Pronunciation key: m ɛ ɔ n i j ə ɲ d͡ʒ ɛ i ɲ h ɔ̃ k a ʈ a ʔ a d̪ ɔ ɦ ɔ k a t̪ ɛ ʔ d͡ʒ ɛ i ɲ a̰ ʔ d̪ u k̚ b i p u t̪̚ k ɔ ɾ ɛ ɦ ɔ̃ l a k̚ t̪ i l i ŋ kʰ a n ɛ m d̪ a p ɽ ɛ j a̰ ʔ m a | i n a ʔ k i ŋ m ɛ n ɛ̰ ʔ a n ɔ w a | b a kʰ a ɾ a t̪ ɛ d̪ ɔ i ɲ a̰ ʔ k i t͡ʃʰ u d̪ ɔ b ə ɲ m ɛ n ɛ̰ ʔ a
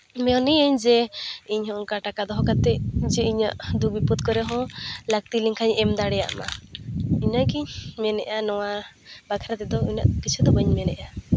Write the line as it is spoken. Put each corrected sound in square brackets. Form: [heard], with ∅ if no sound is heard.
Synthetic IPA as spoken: m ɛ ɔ n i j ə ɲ d͡ʒ ɛ i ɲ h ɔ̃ k a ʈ a [k] a d̪ ɔ ɦ ɔ k a t̪ ɛ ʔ d͡ʒ ɛ i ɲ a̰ ʔ d̪ u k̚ b i p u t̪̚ k ɔ ɾ ɛ ɦ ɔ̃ l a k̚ t̪ i l i ŋ kʰ a [ɲ] ɛ m d̪ a [∅] ɽ ɛ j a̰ ʔ m a | i [ɲ] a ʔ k i [ɲ] m ɛ n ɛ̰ ʔ a n ɔ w a | b a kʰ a ɾ a t̪ ɛ d̪ ɔ i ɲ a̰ ʔ k i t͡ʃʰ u d̪ ɔ b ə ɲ m ɛ n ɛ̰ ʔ a